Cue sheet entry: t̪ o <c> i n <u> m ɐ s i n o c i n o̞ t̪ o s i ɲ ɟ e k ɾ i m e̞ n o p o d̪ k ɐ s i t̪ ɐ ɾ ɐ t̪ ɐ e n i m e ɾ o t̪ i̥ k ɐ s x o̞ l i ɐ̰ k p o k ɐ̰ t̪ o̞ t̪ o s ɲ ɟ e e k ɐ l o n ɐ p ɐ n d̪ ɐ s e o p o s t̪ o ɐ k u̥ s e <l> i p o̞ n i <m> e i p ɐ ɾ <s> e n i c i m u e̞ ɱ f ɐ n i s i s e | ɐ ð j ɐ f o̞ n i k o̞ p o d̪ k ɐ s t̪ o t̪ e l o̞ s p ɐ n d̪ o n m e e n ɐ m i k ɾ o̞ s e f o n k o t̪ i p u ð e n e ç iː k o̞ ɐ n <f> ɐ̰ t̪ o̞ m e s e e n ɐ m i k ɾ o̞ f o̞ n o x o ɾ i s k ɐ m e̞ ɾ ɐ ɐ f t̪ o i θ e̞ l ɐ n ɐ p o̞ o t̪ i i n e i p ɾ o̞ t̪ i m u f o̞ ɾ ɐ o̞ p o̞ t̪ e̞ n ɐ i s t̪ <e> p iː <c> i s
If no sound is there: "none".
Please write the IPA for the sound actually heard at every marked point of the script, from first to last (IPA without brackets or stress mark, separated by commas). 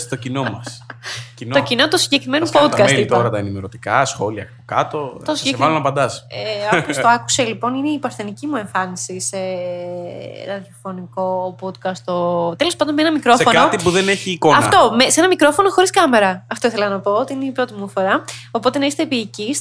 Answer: c, o, l, n, θ, f, e, c